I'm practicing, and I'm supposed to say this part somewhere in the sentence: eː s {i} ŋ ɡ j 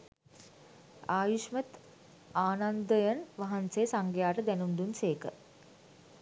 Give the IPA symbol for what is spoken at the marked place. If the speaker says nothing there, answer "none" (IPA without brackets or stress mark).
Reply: a